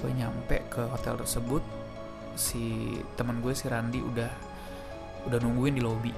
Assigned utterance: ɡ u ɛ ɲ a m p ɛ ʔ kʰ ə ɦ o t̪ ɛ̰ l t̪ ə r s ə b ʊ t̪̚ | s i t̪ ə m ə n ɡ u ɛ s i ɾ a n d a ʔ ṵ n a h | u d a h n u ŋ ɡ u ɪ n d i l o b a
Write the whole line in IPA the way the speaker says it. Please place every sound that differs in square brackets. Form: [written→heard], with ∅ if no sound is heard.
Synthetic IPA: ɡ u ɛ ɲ a m p ɛ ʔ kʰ ə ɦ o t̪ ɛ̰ l t̪ ə r s ə b ʊ t̪̚ | s i t̪ ə m ə n ɡ u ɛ s i ɾ a n d [a→i] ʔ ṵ [n→d] a h | u d a h n u ŋ ɡ u ɪ n d i l o b [a→i]